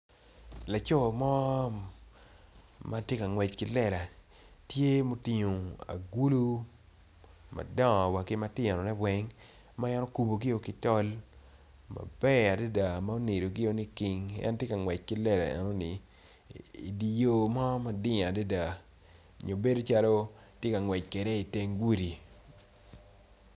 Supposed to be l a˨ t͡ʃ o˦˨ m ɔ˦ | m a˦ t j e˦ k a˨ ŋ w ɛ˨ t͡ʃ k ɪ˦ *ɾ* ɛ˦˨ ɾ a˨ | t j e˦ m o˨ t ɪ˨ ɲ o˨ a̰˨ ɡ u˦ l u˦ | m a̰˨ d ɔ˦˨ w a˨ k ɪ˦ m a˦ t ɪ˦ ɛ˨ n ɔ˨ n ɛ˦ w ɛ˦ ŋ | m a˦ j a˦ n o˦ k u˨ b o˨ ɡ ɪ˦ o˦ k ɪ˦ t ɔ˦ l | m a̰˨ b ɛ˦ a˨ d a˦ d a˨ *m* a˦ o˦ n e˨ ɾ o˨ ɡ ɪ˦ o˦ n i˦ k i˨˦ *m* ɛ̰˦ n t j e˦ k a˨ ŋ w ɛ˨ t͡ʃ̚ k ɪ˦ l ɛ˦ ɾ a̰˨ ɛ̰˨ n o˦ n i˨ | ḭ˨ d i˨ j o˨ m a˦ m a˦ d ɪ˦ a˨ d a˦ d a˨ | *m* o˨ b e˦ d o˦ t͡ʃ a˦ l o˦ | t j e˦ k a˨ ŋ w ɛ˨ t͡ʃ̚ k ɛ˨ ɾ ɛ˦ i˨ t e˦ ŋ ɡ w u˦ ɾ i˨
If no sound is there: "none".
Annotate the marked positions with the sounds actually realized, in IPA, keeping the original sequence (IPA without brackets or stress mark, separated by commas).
l, m, ŋ, ɲ